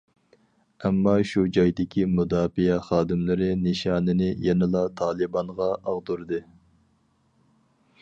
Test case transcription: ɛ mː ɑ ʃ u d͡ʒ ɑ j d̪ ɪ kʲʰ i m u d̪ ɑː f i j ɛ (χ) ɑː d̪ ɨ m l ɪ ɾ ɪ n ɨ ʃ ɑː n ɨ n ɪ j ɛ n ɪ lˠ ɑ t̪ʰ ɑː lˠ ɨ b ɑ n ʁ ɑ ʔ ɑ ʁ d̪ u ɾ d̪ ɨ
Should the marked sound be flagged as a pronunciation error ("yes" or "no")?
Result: no